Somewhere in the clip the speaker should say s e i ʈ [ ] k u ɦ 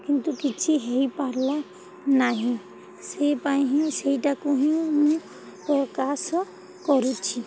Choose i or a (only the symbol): a